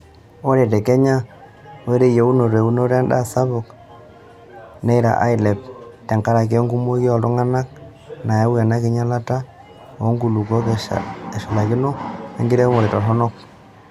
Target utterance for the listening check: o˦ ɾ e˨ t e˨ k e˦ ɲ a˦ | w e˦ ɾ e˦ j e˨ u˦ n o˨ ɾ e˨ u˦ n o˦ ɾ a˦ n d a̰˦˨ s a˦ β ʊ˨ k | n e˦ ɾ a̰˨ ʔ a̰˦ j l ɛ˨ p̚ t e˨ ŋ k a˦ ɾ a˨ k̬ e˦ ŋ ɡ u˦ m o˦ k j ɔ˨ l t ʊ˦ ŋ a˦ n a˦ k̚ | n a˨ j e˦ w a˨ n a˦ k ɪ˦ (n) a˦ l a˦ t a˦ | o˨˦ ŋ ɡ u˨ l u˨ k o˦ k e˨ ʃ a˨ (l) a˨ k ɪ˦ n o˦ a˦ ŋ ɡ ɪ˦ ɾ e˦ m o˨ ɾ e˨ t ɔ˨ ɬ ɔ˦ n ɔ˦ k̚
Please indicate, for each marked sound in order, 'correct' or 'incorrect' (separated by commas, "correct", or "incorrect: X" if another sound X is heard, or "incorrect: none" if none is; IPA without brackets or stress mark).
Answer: incorrect: ɲ, correct